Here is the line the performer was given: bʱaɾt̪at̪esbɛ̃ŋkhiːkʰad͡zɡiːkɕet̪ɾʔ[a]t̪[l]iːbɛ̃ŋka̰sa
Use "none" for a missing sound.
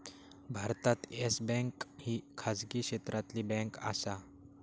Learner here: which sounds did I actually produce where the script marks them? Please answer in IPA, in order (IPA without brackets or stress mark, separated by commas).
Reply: a, l